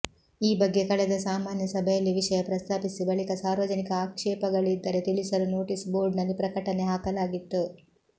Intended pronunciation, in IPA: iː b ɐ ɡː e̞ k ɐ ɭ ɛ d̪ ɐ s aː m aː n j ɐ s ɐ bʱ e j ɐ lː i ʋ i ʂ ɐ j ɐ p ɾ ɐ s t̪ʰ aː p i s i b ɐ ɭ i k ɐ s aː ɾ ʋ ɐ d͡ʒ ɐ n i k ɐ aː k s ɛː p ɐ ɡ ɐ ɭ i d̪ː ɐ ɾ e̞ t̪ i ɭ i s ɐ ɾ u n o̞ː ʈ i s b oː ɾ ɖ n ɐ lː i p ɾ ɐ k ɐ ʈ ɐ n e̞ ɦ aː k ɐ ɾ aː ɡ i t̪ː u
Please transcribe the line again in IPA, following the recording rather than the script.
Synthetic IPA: iː b ɐ ɡː e̞ k ɐ ɭ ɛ d̪ ɐ s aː m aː n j ɐ s ɐ bʱ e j ɐ lː i ʋ i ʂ ɐ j ɐ p ɾ ɐ s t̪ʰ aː p i s i b ɐ ɭ i k ɐ s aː ɾ ʋ ɐ d͡ʒ ɐ n i k ɐ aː k ʂ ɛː p ɐ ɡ ɐ ɭ i d̪ː ɐ ɾ e̞ t̪ i ɭ i s ɐ ɾ u n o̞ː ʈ i s b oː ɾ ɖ n ɐ lː i p ɾ ɐ k ɐ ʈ ɐ n e̞ ɦ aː k ɐ l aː ɡ i t̪ː u

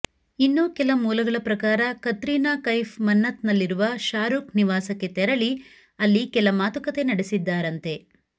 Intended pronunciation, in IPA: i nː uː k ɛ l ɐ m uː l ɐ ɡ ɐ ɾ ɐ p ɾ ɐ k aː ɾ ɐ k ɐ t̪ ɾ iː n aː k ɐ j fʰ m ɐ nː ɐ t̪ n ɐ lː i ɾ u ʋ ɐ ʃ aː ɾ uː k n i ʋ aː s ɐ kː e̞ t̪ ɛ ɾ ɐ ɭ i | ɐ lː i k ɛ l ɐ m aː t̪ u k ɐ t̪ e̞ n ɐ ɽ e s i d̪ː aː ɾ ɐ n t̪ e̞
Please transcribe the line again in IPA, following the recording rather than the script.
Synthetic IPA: i nː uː k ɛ l ɐ m uː l ɐ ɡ ɐ ɭ ɐ p ɾ ɐ k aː ɾ ɐ k ɐ t̪ ɾ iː n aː k ɐ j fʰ m ɐ nː ɐ t̪ n ɐ lː i ɾ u ʋ ɐ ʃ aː ɾ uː k n i ʋ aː s ɐ kː e̞ t̪ ɛ ɾ ɐ ɭ i | ɐ lː i k ɛ l ɐ m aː t̪ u k ɐ t̪ e̞ n ɐ ɽ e s i d̪ː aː ɾ ɐ n t̪ e̞

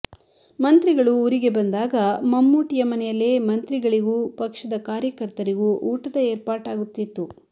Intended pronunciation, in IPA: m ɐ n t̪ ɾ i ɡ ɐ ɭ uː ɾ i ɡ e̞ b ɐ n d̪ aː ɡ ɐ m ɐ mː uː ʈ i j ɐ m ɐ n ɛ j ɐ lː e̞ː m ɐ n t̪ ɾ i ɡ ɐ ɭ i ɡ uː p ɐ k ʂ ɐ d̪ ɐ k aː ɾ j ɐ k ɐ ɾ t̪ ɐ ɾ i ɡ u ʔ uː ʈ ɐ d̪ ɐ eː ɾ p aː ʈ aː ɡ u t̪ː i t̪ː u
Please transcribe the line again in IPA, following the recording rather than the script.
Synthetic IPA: m ɐ n t̪ ɾ i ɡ ɐ ɭ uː ɾ i ɡ e̞ b ɐ n d̪ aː ɡ ɐ m ɐ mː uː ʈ i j ɐ m ɐ n ɛ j ɐ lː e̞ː m ɐ n t̪ ɾ i ɡ ɐ ɭ i ɡ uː p ɐ k ʂ ɐ d̪ ɐ k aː ɾ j ɐ k ɐ ɾ t̪ ɐ ɾ i ɡ u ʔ uː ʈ ɐ d̪ ɐ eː ɾ p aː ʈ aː ɡ u t̪ː i t̪ː u

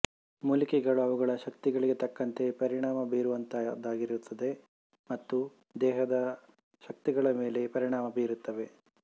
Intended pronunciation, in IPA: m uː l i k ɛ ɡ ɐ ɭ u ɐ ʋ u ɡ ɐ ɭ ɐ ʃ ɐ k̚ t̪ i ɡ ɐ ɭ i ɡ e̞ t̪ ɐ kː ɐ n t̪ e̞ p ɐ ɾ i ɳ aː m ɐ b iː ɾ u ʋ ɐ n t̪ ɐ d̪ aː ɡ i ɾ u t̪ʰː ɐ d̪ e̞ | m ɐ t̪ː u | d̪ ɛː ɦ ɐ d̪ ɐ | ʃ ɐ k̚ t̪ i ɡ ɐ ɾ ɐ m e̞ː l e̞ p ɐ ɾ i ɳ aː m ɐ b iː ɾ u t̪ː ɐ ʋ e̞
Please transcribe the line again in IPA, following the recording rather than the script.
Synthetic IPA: m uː l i k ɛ ɡ ɐ ɭ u ɐ ʋ u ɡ ɐ ɭ ɐ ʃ ɐ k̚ t̪ i ɡ ɐ ɭ i ɡ e̞ t̪ ɐ kː ɐ n t̪ e̞ p ɐ ɾ i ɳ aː m ɐ b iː ɾ u ʋ ɐ n t̪ ɐ d̪ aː ɡ i ɾ u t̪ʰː ɐ d̪ e̞ | m ɐ t̪ː u | d̪ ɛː ɦ ɐ d̪ ɐ | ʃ ɐ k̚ t̪ i ɡ ɐ ɭ ɐ m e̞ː l e̞ p ɐ ɾ i ɳ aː m ɐ b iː ɾ u t̪ː ɐ ʋ e̞

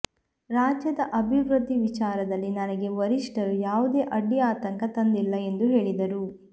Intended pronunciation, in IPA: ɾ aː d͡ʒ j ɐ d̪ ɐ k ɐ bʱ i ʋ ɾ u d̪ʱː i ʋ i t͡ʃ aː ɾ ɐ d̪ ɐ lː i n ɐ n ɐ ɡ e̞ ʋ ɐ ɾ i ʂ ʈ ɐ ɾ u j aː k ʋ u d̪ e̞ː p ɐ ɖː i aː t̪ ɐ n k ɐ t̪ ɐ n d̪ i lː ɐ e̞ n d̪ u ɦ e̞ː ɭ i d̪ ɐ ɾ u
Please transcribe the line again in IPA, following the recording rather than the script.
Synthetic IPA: ɾ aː d͡ʒ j ɐ d̪ ɐ ʔ ɐ bʱ i ʋ ɾ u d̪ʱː i ʋ i t͡ʃ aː ɾ ɐ d̪ ɐ lː i n ɐ n ɐ ɡ e̞ ʋ ɐ ɾ i ʂ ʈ ɐ ɾ u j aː ʋ u d̪ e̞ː ʔ ɐ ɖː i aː t̪ ɐ ŋ k ɐ t̪ ɐ n d̪ i lː ɐ e̞ n d̪ u ɦ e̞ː ɭ i d̪ ɐ ɾ u

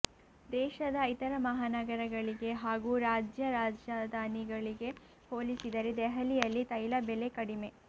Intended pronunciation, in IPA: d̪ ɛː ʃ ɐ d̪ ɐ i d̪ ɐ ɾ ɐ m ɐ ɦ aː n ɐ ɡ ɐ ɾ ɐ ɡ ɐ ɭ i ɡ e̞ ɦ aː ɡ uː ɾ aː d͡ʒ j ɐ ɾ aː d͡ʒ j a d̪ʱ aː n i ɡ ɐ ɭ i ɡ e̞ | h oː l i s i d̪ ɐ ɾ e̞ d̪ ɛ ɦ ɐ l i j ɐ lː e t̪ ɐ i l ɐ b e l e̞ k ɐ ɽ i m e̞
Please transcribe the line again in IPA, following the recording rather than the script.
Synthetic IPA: d̪ ɛː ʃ ɐ d̪ ɐ i t̪ ɐ ɾ ɐ m ɐ ɦ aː n ɐ ɡ ɐ ɾ ɐ ɡ ɐ ɭ i ɡ e̞ ɦ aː ɡ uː ɾ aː d͡ʒ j ɐ ɾ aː d͡ʒ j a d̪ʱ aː n i ɡ ɐ ɭ i ɡ e̞ | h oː l i s i d̪ ɐ ɾ e̞ d̪ ɛ ɦ ɐ l i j ɐ lː i t̪ ɐ j l ɐ b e l e̞ k ɐ ɽ i m e̞

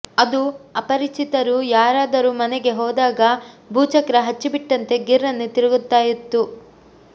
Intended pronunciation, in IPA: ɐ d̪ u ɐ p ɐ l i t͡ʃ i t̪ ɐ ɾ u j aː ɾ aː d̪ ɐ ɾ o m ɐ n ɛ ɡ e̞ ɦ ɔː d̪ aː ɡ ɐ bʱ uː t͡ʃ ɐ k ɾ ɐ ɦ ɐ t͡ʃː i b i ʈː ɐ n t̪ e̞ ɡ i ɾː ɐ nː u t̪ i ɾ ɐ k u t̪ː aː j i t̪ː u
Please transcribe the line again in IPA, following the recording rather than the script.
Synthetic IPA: ɐ d̪ u ɐ p ɐ ɾ i t͡ʃ i t̪ ɐ ɾ u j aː ɾ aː d̪ ɐ ɾ u m ɐ n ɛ ɡ e̞ ɦ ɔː d̪ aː ɡ ɐ bʱ uː t͡ʃ ɐ k ɾ ɐ ɦ ɐ t͡ʃː i b i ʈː ɐ n t̪ e̞ ɡ i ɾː ɐ nː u t̪ i ɾ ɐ ɡ u t̪ː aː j i t̪ː u

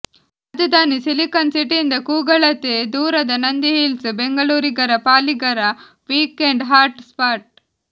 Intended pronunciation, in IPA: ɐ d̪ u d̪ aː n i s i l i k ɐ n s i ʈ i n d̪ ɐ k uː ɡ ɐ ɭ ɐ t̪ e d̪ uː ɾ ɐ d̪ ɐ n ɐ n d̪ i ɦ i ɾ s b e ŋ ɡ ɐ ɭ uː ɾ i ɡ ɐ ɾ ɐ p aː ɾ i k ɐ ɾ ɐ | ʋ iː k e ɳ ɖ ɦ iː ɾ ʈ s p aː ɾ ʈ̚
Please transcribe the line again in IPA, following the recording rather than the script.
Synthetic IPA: ɐ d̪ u d̪ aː n i s i l i k ɐ n s i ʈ i n d̪ ɐ k uː ɡ ɐ ɭ ɐ t̪ e d̪ uː ɾ ɐ d̪ ɐ n ɐ n d̪ i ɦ i l s b e ŋ ɡ ɐ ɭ uː ɾ i ɡ ɐ ɾ ɐ p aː l i ɡ ɐ ɾ ɐ | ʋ iː k e ɳ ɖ ɦ aː ɾ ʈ s p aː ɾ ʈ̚

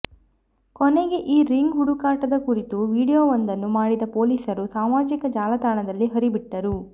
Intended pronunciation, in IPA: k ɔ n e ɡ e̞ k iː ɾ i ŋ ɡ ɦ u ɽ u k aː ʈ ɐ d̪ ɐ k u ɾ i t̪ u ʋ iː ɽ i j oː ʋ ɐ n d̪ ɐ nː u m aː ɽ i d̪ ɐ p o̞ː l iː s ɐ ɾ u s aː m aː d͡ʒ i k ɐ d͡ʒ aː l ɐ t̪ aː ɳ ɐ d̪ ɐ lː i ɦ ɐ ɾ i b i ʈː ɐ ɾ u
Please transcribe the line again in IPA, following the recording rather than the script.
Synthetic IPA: k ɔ n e ɡ e̞ ʔ iː ɾ i ŋ ɡ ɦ u ɽ u k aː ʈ ɐ d̪ ɐ k u ɾ i t̪ u ʋ iː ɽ i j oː ʋ ɐ n d̪ ɐ nː u m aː ɽ i d̪ ɐ p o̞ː l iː s ɐ ɾ u s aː m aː d͡ʒ i k ɐ d͡ʒ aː l ɐ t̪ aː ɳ ɐ d̪ ɐ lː i ɦ ɐ ɾ i b i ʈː ɐ ɾ u

